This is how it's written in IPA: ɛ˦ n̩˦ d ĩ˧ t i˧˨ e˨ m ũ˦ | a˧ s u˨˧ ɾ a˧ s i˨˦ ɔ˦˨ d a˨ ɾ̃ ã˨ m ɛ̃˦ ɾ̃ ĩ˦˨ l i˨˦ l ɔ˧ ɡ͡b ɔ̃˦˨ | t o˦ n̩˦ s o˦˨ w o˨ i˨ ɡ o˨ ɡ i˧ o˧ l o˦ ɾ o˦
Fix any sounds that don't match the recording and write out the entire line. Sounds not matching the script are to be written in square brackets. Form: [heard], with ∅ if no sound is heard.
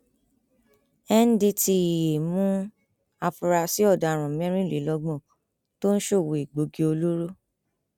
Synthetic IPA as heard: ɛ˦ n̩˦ d [i˧] t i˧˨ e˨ m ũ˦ | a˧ [f] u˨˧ ɾ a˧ s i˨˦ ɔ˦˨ d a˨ ɾ̃ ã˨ m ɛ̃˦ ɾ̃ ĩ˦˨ l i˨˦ l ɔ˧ ɡ͡b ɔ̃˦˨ | t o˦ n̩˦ [ʃ] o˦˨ w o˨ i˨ [ɡ͡b] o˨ ɡ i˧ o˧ l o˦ ɾ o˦